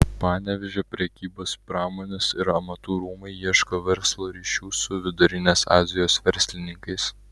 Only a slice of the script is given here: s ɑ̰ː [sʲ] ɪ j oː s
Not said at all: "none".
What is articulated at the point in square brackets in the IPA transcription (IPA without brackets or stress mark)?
zʲ